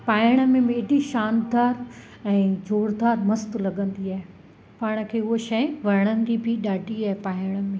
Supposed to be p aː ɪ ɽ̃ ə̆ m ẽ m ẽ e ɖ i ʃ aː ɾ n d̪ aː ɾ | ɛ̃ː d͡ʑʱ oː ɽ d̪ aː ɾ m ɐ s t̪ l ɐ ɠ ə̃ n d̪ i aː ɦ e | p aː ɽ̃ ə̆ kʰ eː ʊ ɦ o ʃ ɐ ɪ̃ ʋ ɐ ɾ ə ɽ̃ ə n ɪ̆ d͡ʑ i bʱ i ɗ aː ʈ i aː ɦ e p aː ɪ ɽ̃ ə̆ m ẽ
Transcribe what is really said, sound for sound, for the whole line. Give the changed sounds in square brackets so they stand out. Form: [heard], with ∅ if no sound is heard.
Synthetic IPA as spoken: p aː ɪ ɽ̃ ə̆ m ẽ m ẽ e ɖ i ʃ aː [∅] n d̪ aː ɾ | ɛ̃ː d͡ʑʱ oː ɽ d̪ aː ɾ m ɐ s t̪ l ɐ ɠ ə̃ n d̪ i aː ɦ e | p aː ɽ̃ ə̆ kʰ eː ʊ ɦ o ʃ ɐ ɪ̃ ʋ ɐ ɾ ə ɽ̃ ə n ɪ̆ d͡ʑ i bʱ i ɗ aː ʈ i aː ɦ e p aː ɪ ɽ̃ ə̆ m ẽ